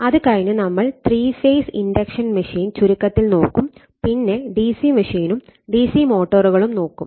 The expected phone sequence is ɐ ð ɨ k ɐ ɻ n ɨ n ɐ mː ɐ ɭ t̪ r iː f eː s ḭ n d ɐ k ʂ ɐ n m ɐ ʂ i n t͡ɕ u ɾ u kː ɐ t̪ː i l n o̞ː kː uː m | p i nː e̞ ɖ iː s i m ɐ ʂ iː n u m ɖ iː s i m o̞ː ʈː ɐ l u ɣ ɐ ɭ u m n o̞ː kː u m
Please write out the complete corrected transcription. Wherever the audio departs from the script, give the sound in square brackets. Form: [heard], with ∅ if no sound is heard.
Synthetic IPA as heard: ɐ ð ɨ k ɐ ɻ n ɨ n ɐ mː ɐ ɭ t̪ r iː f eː s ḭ n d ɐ k ʂ ɐ n m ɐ ʂ [iː] n t͡ɕ u ɾ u kː ɐ t̪ː i l n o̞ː kː [u] m | p i nː e̞ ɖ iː s i m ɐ ʂ iː n u m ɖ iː s i m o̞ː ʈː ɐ [r] u ɣ ɐ ɭ u m n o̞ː kː u m